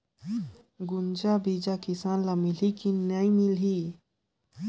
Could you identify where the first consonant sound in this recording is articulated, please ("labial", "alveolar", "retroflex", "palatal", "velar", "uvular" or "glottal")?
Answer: velar